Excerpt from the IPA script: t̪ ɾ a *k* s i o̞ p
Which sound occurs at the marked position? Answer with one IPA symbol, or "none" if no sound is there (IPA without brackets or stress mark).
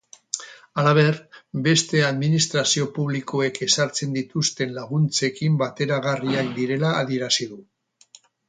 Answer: none